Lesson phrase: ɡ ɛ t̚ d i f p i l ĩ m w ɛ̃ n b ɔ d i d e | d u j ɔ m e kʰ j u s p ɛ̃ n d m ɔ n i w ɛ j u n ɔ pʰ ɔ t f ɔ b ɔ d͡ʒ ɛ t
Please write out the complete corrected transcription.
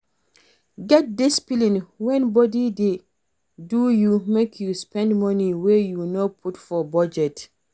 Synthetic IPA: ɡ ɛ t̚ d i s p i l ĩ n w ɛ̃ n b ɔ d i d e | d u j u m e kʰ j u s p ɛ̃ n d m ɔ n i w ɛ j u n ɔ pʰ u t f ɔ b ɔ d͡ʒ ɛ t